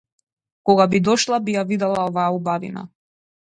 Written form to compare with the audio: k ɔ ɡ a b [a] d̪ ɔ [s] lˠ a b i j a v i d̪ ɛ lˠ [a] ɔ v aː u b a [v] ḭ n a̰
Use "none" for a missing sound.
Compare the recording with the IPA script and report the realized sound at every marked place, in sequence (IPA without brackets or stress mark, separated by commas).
i, ʃ, a, v